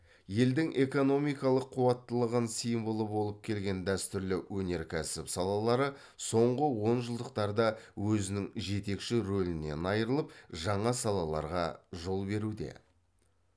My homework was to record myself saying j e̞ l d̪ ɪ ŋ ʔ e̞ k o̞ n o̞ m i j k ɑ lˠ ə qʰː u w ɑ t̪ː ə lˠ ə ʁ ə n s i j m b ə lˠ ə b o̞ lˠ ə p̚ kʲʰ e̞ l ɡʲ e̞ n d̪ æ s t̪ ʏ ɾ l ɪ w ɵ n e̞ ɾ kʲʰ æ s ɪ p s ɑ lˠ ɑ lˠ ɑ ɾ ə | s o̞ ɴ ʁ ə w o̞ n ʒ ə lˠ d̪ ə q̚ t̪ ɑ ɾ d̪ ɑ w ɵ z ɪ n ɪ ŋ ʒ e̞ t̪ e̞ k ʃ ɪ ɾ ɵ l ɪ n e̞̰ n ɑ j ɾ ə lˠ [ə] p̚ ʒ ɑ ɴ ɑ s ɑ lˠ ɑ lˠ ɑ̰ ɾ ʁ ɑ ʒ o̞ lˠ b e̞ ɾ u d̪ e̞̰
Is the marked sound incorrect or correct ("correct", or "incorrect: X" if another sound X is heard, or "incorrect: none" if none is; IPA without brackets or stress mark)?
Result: correct